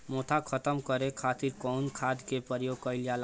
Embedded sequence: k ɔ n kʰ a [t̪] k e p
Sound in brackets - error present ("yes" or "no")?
yes